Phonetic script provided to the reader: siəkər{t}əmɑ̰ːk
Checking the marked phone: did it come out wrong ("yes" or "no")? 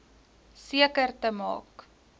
no